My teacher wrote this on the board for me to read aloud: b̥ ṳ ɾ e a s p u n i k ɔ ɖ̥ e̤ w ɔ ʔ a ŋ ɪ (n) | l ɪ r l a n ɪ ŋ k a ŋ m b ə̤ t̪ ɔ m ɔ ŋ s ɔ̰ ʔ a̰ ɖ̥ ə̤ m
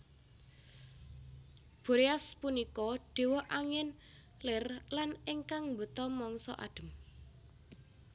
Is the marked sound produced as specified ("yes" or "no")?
yes